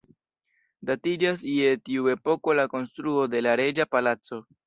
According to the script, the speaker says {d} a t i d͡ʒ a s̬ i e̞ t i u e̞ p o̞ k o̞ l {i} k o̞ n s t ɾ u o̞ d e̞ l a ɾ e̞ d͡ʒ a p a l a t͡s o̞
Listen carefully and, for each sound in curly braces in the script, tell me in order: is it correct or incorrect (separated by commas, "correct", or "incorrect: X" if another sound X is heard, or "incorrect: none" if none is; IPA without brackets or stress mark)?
correct, incorrect: a